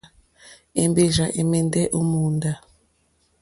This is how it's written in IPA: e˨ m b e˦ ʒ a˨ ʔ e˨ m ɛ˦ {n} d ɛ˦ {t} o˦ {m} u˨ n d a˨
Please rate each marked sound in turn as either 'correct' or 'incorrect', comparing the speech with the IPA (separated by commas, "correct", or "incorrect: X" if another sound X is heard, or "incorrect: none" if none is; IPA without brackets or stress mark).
correct, incorrect: ʔ, correct